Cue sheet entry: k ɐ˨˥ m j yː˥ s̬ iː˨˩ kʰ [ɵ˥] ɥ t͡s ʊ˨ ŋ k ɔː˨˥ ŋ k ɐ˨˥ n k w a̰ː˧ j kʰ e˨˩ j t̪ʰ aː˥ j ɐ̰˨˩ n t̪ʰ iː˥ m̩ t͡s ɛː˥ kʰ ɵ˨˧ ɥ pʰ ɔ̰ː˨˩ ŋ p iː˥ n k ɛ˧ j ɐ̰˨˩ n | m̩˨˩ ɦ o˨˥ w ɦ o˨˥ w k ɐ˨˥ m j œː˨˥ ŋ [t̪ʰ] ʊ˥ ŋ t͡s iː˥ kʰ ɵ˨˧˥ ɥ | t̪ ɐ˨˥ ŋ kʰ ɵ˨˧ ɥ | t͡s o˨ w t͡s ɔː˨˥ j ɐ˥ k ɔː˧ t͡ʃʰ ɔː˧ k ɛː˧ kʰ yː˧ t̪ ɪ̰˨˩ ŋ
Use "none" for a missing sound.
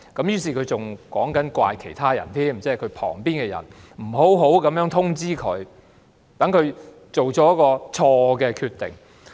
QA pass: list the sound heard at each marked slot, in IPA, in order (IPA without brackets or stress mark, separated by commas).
ɵ˨˧, t̪ʰ